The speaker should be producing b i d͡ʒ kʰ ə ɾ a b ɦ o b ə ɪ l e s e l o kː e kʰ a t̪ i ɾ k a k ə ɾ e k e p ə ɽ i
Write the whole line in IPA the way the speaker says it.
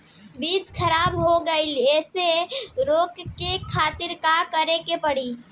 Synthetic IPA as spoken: b i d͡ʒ kʰ ə ɾ a b ɦ o ɡ ə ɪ l e s e ɾ o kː e kʰ a t̪ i ɾ k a k ə ɾ e k e p ə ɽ i